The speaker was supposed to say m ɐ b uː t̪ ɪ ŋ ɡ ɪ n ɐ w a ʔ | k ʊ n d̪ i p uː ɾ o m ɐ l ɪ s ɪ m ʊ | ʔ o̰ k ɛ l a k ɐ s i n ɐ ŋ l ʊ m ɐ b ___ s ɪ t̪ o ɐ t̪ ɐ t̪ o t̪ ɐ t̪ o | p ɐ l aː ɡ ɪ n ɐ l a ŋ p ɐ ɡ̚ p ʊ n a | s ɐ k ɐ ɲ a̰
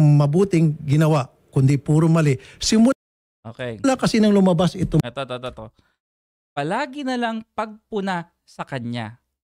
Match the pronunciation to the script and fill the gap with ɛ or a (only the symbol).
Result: a